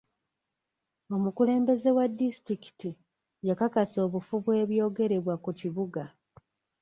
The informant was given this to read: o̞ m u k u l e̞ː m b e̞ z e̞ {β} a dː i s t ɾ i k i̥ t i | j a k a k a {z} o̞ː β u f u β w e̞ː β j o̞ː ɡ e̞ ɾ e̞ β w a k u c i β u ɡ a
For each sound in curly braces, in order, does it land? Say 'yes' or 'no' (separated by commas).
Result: no, no